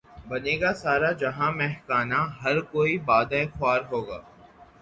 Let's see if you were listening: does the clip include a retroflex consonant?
no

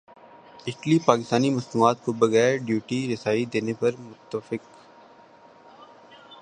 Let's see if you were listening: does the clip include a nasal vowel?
no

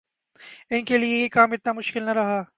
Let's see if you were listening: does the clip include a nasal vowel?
no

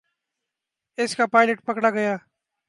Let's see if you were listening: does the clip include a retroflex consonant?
yes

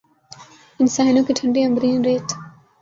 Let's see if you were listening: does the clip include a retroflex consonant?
yes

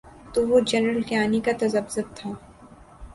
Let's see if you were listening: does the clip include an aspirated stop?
yes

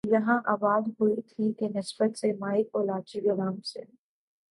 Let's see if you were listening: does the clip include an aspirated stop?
yes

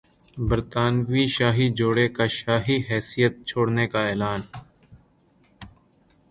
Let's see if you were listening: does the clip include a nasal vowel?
no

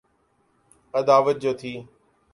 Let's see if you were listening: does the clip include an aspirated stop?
yes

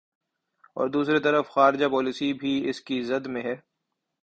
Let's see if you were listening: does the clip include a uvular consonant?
no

